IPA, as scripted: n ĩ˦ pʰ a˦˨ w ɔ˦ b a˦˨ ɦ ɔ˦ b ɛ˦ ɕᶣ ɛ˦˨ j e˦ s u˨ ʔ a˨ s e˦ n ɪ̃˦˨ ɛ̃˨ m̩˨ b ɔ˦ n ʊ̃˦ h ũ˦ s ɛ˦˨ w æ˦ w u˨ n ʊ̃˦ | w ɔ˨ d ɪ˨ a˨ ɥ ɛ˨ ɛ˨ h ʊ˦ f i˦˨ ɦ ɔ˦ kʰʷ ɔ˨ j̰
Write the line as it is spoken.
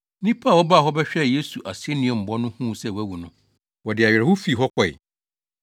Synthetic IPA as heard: n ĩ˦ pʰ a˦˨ w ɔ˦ b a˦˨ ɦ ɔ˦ b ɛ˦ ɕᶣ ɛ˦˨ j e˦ s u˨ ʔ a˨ s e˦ n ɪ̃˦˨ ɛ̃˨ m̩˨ b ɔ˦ n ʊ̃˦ h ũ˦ s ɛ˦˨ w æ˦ w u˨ n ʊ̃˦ | w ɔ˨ d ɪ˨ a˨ ɥ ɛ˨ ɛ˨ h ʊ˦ f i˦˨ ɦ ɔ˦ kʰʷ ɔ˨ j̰